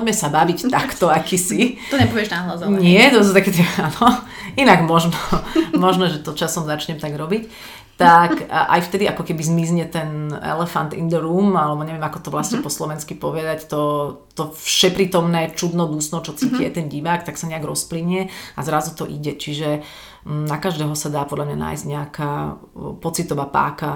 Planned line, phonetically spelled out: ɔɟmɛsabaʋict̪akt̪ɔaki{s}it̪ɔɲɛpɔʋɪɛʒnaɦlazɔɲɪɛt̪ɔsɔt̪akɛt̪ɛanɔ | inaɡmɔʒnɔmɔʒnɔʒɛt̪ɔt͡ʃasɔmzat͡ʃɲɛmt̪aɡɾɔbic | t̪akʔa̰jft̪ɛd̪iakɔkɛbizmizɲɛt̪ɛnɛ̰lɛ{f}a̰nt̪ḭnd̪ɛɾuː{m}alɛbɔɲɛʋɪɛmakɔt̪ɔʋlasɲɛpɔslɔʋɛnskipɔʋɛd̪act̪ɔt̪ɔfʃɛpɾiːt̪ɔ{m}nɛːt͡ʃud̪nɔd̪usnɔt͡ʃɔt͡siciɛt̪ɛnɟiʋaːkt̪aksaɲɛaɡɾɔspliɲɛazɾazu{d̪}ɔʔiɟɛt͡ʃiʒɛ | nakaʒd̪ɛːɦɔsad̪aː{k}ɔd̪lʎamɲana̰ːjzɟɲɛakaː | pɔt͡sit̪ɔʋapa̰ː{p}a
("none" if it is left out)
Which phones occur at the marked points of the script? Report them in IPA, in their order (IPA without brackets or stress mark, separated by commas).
s, f, m, m, t̪, p, k